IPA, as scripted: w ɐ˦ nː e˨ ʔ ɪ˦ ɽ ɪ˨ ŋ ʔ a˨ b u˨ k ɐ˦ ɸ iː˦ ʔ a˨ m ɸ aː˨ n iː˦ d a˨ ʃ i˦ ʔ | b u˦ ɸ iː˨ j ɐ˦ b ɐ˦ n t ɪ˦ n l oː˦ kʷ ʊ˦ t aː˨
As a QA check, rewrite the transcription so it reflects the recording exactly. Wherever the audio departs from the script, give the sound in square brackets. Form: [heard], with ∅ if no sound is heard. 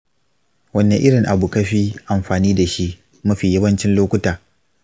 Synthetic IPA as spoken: w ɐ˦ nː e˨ ʔ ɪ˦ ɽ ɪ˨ ŋ ʔ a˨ b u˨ k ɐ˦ ɸ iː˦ ʔ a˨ m ɸ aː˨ n iː˦ d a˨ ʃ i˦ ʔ | [m] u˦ ɸ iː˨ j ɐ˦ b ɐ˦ n [t͡ʃ] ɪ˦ n l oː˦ kʷ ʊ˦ t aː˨

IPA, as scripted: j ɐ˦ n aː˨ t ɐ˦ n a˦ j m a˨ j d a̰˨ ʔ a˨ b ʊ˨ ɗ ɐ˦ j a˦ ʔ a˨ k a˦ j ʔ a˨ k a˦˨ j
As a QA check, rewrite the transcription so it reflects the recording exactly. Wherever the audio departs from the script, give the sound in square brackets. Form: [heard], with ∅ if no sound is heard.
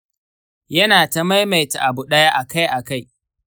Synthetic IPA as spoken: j ɐ˦ n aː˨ t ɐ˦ [m] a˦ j m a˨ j [t] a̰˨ ʔ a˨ b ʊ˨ ɗ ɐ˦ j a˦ ʔ a˨ k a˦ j ʔ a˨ k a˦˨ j

